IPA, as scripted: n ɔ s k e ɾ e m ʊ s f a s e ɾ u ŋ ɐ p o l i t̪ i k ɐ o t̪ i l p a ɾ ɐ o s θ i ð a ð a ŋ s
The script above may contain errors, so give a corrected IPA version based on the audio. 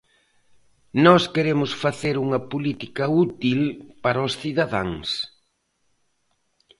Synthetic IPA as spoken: n ɔ s k e ɾ e m ʊ s f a θ e ɾ u ŋ ɐ p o l i t̪ i k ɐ u t̪ i l p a ɾ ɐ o s θ i ð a ð a ŋ s